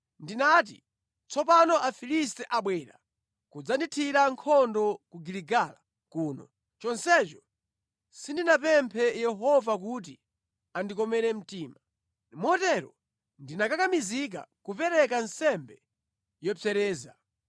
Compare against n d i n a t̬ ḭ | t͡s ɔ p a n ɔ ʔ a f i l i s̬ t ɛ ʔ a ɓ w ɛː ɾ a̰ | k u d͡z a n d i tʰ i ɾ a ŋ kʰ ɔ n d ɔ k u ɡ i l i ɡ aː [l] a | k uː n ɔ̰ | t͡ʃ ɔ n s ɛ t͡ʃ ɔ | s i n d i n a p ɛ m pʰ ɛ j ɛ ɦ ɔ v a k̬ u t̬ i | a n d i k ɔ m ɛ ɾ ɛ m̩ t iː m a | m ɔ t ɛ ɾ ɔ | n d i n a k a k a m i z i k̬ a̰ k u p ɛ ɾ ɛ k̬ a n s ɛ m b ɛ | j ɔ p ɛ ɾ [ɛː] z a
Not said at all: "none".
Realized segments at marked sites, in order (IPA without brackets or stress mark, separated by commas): l, ɛː